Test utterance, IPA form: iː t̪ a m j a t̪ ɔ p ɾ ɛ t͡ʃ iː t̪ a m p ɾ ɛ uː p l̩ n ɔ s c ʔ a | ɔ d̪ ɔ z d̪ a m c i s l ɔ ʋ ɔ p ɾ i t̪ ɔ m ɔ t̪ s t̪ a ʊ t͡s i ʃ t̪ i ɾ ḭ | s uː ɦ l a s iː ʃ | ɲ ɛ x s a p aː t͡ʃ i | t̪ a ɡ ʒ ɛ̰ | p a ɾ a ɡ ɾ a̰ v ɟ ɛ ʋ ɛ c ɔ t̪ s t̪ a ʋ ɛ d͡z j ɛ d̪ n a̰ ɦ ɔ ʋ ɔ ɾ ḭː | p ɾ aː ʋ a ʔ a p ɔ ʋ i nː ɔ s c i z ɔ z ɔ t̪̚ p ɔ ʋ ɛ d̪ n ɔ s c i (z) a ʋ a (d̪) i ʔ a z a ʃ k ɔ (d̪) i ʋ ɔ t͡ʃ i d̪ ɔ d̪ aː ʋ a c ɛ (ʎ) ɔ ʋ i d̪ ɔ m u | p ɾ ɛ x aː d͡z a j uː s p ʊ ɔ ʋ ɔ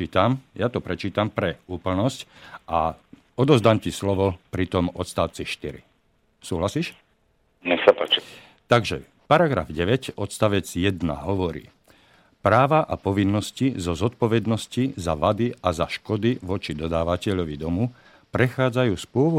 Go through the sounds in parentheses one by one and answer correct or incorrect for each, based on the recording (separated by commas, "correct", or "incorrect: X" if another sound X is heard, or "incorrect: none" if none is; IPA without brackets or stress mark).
correct, correct, correct, correct